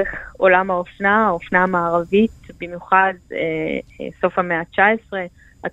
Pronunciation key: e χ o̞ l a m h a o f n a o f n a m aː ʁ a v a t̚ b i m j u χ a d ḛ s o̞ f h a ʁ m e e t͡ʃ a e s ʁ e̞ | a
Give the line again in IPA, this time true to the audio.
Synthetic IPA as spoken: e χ o̞ l a m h a o f n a o f n a m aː ʁ a v i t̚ b i m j u χ a d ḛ s o̞ f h a m e a t͡ʃ a e s ʁ e̞ | a